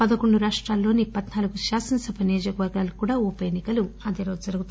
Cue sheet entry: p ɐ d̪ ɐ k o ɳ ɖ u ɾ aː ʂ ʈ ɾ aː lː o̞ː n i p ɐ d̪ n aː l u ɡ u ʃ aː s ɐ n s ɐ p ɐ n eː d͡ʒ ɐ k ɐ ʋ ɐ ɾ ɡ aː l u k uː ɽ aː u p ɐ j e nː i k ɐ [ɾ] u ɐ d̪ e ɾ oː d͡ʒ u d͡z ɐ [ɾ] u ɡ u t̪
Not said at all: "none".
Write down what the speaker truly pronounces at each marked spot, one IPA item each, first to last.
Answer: l, ɾ

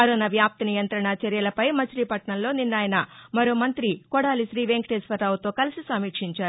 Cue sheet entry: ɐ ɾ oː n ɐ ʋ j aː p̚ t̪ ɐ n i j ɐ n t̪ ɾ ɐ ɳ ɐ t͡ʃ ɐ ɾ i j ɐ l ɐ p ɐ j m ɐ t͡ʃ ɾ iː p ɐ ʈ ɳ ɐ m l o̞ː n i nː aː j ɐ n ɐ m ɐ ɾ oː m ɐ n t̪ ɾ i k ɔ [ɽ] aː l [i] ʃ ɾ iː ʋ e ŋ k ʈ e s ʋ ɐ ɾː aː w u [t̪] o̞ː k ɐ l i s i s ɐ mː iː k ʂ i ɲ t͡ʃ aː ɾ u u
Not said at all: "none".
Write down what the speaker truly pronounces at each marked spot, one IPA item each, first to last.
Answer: ɽ, i, t̪

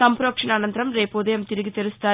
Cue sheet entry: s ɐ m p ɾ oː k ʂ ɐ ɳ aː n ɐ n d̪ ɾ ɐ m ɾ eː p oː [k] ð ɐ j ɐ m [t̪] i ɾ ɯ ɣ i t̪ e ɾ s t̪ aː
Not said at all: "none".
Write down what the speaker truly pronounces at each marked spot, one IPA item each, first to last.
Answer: none, t̪

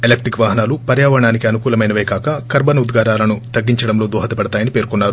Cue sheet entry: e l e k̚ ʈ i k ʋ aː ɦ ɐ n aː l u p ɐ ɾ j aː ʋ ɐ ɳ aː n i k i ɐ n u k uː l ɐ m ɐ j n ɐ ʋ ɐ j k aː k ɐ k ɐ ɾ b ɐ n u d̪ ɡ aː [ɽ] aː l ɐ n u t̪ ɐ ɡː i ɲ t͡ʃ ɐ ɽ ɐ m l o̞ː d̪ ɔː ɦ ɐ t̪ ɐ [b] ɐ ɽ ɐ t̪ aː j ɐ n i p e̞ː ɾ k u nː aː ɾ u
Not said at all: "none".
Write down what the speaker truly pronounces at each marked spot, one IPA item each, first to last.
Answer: ɾ, p

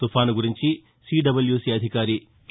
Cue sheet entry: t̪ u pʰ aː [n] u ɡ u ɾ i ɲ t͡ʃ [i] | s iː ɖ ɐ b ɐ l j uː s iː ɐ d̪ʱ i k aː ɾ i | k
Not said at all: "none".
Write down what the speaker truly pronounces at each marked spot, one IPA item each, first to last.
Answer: n, i

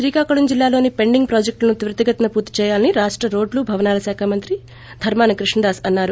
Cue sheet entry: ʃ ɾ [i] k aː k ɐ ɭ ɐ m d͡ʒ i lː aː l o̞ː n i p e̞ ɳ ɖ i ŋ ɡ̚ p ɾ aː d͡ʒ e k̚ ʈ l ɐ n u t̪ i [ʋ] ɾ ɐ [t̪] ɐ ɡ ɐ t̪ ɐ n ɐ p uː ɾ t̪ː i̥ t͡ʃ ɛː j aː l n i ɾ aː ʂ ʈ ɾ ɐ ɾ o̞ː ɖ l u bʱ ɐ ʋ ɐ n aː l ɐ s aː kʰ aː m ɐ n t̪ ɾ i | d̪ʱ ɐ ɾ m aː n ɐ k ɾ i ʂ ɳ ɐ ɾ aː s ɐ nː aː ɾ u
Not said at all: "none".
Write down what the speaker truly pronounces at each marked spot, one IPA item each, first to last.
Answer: iː, ʋ, t̪

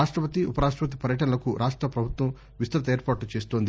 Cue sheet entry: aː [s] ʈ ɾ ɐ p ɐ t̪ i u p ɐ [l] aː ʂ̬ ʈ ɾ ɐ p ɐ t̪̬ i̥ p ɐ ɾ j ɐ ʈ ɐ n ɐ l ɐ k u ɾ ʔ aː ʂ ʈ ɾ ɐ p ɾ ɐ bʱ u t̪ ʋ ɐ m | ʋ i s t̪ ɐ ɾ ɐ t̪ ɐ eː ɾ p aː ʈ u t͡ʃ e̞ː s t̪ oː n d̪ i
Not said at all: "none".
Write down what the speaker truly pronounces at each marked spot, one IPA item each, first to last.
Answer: ʂ, ɾ

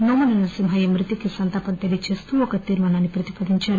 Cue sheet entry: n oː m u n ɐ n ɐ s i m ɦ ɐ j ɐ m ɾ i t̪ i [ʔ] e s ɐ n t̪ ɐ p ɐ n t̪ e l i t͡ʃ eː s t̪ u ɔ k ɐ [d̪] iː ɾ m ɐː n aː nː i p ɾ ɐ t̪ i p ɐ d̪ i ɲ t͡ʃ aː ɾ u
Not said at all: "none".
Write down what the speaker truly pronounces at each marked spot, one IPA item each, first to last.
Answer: k, t̪

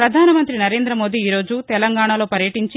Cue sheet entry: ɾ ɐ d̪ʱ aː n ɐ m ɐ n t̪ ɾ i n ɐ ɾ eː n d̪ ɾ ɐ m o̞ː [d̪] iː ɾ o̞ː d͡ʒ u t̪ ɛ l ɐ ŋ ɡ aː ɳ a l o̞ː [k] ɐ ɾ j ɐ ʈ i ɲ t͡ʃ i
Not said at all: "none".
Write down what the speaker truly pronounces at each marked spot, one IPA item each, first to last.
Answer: d̪, p

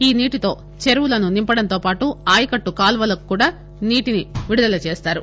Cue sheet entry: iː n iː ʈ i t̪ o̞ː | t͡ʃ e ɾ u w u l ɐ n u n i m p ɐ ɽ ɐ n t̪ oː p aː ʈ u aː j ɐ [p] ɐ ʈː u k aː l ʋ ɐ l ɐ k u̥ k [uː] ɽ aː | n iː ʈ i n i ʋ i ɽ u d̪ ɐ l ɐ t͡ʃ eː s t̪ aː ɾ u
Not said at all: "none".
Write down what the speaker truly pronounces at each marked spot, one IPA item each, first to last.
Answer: k, uː

